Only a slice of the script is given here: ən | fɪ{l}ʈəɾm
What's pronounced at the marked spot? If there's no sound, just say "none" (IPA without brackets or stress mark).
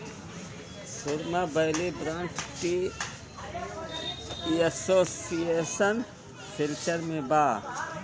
l